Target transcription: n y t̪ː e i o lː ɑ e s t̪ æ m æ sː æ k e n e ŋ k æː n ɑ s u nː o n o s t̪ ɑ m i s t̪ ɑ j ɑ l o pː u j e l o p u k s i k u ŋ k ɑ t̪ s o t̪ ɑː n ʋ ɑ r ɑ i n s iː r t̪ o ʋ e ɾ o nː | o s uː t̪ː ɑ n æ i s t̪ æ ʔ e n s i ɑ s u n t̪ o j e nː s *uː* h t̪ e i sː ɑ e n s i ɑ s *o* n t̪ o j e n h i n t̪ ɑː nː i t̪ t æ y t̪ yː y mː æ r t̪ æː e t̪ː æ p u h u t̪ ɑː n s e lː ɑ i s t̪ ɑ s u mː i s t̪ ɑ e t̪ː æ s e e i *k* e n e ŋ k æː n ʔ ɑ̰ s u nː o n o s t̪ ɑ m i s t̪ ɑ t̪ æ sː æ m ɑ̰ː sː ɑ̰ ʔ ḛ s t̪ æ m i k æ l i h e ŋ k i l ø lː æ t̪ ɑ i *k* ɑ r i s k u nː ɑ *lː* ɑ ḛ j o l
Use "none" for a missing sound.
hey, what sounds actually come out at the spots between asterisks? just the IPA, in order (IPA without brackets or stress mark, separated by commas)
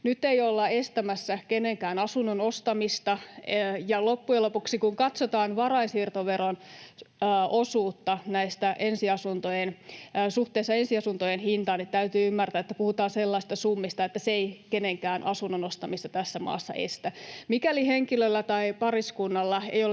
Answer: u, u, k, p, lː